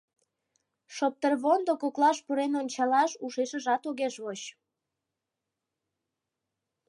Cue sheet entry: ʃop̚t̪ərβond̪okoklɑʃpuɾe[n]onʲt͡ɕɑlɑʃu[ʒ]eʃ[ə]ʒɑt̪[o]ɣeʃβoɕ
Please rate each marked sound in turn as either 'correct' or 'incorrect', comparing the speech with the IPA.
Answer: correct, incorrect: ʃ, correct, correct

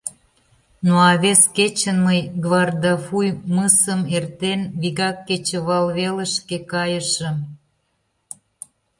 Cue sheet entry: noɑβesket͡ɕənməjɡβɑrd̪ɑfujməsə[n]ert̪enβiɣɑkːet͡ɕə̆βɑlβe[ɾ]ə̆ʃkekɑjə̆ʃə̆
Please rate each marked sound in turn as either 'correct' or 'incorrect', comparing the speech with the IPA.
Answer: incorrect: m, incorrect: l

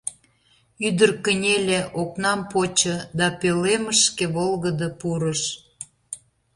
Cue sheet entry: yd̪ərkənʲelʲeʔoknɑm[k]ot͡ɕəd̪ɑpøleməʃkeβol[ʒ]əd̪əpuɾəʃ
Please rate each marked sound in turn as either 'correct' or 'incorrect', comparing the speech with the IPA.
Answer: incorrect: p, incorrect: ɣ

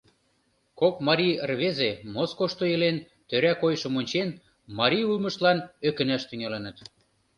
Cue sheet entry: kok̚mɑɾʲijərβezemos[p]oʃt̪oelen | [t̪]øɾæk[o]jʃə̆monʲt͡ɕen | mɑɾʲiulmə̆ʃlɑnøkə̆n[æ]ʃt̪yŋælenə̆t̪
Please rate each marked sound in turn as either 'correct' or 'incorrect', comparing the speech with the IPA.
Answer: incorrect: k, correct, correct, correct

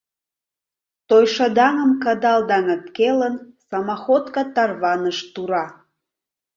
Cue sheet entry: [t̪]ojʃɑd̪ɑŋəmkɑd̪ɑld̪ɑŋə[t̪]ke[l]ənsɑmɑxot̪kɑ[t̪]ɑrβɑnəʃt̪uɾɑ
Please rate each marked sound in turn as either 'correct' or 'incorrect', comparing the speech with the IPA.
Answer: correct, correct, correct, correct

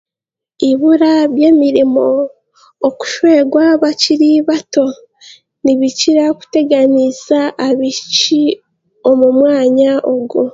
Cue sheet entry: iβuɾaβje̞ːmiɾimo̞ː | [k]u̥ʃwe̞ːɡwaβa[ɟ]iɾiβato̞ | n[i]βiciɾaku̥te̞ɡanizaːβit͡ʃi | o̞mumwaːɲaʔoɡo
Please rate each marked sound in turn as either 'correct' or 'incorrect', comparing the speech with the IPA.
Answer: correct, incorrect: c, correct

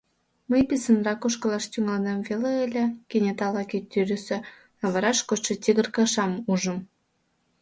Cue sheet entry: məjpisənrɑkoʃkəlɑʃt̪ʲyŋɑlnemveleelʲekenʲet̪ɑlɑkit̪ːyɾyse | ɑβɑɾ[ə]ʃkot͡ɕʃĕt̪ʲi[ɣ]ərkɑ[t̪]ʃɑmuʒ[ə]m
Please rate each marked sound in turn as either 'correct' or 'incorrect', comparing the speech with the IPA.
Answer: incorrect: ɑ, correct, incorrect: none, correct

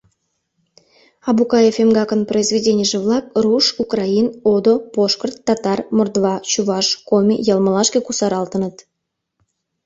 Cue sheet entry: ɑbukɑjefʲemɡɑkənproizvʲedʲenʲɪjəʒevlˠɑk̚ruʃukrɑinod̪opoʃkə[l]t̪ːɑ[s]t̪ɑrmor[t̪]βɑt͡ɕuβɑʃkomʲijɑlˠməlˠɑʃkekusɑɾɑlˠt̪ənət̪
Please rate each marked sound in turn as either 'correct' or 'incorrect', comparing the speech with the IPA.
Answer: incorrect: r, incorrect: none, incorrect: d̪

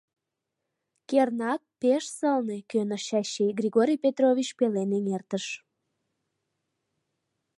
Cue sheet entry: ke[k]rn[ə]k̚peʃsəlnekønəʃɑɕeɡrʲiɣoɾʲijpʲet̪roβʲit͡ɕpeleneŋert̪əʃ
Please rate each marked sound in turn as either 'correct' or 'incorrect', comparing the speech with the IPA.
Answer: incorrect: none, incorrect: ɑ

